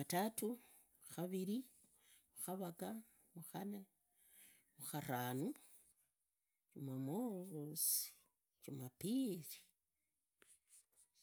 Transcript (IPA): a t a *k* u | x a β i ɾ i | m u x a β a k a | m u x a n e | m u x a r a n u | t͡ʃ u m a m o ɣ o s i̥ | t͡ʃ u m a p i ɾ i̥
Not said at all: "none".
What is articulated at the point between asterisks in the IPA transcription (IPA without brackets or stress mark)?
t